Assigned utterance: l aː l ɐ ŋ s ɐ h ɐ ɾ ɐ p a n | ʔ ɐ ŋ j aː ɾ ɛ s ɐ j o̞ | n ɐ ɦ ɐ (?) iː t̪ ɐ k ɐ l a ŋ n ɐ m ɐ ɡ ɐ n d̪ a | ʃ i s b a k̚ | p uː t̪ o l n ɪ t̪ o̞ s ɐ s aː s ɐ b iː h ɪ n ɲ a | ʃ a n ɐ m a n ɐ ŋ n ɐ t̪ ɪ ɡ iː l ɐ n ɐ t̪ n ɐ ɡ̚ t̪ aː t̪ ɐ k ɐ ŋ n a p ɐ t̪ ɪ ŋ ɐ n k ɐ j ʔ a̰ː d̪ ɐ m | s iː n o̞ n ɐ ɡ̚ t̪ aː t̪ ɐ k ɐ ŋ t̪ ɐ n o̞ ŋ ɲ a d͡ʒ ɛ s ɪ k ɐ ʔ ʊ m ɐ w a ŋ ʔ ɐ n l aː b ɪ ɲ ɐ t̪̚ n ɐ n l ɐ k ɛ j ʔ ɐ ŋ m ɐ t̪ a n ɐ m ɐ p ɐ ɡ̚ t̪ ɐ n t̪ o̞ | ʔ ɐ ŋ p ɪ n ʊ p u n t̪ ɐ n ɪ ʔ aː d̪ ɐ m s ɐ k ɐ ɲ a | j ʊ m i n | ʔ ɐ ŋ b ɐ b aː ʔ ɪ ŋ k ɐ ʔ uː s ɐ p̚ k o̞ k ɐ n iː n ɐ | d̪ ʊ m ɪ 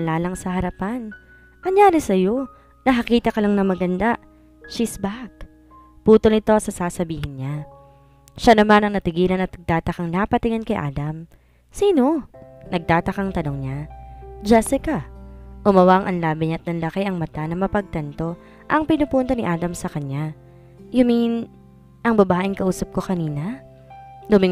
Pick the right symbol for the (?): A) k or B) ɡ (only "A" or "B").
A